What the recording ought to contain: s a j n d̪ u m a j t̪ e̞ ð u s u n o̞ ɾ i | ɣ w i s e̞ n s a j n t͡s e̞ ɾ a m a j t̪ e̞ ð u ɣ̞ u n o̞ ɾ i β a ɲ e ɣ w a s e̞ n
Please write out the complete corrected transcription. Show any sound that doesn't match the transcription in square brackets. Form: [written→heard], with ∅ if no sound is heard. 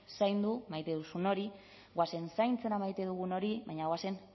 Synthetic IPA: s a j n d̪ u m a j t̪ e̞ ð u s u n o̞ ɾ i | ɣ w [i→a] s e̞ n s a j n t͡s e̞ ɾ a m a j t̪ e̞ ð u ɣ̞ u n o̞ ɾ i β a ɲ [e→a] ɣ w a s e̞ n